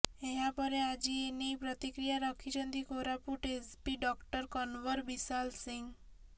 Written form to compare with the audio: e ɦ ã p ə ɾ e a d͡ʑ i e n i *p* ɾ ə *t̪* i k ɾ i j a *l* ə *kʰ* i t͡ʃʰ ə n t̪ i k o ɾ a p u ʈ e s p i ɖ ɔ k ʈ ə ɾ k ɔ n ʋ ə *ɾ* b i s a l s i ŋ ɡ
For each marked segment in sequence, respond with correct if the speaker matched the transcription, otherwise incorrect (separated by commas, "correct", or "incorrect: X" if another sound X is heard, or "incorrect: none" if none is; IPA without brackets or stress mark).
correct, correct, incorrect: ɾ, correct, correct